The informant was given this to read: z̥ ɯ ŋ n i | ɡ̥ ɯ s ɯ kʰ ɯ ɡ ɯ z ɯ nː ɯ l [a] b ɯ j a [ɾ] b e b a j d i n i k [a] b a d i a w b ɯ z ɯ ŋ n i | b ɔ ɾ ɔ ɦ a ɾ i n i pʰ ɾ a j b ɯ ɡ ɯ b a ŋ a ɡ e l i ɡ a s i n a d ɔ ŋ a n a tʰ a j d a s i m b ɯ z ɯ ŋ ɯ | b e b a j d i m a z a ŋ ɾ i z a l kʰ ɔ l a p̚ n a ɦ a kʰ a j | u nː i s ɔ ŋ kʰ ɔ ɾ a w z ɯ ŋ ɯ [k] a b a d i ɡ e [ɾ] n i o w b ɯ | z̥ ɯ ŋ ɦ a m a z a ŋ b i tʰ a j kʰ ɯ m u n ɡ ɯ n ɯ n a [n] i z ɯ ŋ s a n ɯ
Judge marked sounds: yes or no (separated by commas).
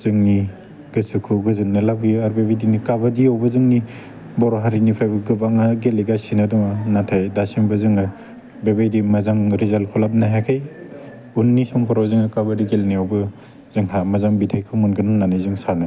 yes, yes, yes, yes, no, yes